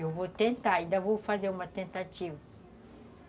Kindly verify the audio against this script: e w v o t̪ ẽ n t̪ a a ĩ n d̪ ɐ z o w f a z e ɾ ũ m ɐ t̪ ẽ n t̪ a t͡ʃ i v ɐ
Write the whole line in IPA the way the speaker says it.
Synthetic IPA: e w v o t̪ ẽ n t̪ a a ĩ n d̪ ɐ v o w f a z e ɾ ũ m ɐ t̪ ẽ n t̪ a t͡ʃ i v ɐ